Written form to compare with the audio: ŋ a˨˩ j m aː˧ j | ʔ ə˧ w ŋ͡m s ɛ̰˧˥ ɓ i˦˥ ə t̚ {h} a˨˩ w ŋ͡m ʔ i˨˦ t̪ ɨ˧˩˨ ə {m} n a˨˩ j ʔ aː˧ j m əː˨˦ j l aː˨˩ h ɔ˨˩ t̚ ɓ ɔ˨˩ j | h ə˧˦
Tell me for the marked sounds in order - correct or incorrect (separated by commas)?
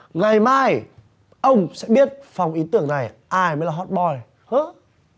incorrect, incorrect